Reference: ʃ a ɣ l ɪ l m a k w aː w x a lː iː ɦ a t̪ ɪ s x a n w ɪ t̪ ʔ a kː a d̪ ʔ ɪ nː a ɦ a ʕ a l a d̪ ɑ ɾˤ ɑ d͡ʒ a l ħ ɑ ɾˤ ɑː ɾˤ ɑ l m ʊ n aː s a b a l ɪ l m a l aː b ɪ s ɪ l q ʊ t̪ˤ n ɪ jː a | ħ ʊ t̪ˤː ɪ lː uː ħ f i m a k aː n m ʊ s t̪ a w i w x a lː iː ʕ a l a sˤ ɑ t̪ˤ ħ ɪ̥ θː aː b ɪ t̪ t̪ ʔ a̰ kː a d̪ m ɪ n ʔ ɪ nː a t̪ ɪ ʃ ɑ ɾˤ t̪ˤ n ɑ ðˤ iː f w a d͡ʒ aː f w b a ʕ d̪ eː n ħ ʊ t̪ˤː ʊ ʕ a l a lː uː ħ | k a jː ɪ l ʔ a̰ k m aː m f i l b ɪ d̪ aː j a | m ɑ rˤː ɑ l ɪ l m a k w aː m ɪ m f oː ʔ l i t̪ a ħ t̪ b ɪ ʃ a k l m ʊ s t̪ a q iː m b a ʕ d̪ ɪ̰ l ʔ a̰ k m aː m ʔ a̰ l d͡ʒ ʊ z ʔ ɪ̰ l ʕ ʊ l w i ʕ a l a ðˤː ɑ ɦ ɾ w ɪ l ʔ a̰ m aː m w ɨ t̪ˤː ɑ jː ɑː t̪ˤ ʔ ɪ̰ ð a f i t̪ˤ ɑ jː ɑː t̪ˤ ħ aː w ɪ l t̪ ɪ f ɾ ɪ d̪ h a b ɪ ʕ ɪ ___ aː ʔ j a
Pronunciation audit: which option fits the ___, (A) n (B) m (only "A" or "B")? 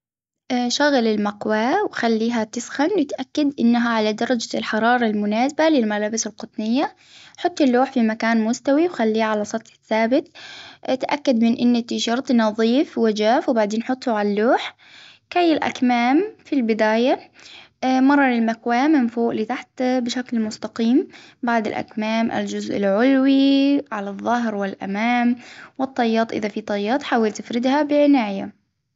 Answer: A